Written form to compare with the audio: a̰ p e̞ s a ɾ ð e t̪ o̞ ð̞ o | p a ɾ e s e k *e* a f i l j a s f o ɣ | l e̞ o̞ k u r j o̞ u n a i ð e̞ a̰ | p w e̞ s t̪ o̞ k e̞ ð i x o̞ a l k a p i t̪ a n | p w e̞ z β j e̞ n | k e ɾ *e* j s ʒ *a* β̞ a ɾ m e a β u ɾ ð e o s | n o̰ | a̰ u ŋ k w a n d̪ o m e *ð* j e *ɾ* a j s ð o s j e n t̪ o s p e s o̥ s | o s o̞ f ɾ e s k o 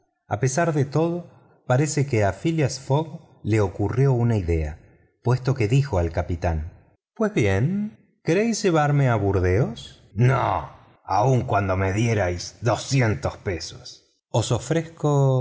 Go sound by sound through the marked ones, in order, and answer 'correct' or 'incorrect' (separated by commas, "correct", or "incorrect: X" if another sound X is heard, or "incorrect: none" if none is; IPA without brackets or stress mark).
correct, correct, incorrect: e, correct, correct